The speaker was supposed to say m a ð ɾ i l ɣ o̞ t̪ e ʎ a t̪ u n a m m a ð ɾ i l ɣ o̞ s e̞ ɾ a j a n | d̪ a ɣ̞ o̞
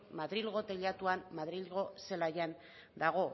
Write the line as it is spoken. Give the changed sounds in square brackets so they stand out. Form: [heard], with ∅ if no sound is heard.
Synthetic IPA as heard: m a ð ɾ i l ɣ o̞ t̪ e ʎ a t̪ u [∅] a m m a ð ɾ i l ɣ o̞ s e̞ [l] a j a n | d̪ a ɣ̞ o̞